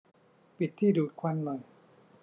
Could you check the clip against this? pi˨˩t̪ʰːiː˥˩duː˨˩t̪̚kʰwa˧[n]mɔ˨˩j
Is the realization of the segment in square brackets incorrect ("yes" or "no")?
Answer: no